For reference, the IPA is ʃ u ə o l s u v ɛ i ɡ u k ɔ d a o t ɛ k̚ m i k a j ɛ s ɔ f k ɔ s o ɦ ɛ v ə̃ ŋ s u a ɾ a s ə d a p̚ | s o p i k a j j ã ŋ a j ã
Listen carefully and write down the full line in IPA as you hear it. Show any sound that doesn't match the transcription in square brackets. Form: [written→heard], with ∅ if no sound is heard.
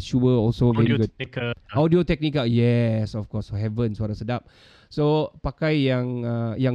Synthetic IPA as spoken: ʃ u ə [o→ɔ] l s [u→o] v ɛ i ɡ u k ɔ d [a→i] o t ɛ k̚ [m→n] i k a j ɛ s ɔ f k ɔ s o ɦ ɛ v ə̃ [ŋ→n] s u a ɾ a s ə d a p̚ | s o p [i→a] k a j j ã ŋ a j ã